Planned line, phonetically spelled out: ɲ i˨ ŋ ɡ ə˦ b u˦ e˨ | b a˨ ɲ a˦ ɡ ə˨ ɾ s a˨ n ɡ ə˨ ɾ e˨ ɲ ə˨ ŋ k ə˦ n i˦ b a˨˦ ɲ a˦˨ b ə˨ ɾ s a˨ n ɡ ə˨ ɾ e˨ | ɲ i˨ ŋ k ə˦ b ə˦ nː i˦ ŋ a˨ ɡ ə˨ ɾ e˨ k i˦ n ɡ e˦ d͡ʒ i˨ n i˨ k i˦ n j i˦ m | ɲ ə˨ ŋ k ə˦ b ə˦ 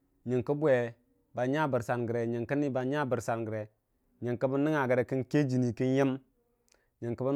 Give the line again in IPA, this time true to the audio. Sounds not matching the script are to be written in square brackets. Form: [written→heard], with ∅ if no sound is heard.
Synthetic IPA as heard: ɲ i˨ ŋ [ɡ→k] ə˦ b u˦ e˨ | b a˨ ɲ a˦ [ɡ→b] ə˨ ɾ s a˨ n ɡ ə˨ ɾ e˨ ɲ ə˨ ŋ k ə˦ n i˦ b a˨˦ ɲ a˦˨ b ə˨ ɾ s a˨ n ɡ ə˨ ɾ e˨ | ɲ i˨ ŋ k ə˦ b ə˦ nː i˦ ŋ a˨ ɡ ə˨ ɾ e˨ k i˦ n [ɡ→k] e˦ d͡ʒ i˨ n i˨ k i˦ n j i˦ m | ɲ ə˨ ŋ k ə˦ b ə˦